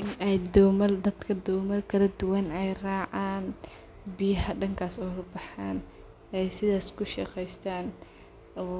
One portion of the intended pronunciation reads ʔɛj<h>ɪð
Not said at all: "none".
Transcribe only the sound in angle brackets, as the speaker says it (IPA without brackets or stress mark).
s